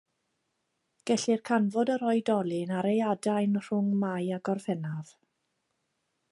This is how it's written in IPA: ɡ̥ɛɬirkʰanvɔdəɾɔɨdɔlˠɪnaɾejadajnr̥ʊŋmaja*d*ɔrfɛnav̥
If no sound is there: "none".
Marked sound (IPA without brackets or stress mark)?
ɡ